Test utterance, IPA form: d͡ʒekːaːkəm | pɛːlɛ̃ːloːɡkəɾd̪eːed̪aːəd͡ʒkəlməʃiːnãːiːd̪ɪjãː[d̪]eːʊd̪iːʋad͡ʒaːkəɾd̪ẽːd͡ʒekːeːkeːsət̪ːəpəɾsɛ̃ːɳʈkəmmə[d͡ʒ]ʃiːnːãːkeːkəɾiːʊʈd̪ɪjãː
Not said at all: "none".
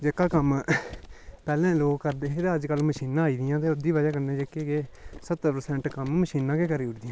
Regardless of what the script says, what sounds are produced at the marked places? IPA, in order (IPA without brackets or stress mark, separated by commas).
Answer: t̪, none